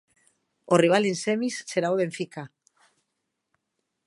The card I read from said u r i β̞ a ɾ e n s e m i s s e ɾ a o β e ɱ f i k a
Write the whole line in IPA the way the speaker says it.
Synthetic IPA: o r i β̞ a l e n s e m i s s e ɾ a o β e ɱ f i k a